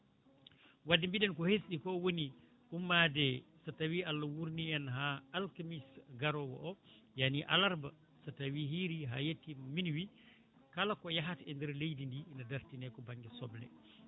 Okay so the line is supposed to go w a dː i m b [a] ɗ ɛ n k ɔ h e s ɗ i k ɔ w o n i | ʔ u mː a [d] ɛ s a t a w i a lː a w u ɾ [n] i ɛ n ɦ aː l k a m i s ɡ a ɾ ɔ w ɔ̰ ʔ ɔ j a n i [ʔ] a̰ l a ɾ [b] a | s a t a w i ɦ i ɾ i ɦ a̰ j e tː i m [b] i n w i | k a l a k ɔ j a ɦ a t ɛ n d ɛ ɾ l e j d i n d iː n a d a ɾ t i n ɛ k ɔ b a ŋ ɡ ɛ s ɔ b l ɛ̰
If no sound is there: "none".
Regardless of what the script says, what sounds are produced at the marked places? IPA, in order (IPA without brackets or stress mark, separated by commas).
i, d, n, ʔ, b, m